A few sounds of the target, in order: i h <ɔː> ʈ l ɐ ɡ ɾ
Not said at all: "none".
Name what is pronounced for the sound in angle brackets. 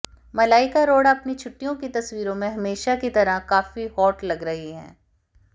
ɔː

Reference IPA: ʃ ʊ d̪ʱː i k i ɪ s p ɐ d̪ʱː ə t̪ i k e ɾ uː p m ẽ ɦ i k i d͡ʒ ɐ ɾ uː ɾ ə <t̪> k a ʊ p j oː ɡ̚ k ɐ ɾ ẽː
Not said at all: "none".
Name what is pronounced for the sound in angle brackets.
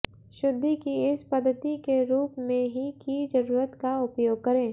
t̪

